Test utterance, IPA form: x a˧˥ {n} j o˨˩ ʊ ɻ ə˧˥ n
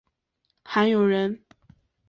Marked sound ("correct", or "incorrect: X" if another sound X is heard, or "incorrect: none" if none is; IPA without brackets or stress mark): correct